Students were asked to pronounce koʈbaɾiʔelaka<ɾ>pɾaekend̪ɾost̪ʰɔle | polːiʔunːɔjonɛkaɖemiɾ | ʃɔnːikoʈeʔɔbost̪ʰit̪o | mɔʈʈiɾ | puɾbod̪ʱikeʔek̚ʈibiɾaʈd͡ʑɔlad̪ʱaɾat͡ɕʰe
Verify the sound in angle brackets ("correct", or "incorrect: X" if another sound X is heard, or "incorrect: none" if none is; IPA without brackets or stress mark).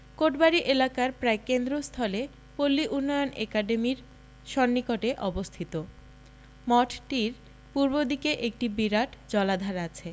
correct